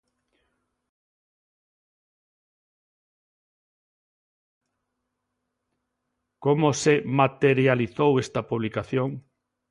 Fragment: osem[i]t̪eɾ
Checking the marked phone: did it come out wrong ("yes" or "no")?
yes